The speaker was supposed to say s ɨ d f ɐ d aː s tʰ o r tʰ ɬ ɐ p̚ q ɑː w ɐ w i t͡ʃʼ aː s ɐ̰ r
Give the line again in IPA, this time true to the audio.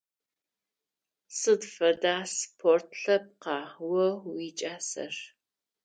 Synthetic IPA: s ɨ d f ɐ d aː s pʰ o r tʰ ɬ ɐ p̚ q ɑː w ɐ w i t͡ʃʼ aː s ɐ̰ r